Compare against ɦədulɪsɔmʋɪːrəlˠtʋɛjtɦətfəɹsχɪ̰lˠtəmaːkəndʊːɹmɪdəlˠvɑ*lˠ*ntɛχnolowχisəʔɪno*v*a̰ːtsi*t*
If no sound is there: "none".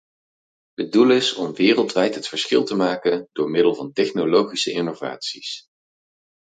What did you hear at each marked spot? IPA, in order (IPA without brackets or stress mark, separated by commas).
none, v, s